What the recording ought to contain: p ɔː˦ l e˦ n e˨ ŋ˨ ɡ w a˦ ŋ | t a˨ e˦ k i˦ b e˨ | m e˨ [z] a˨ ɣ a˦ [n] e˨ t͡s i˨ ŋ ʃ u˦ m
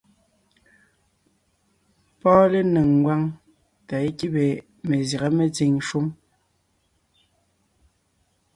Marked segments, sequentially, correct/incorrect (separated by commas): correct, incorrect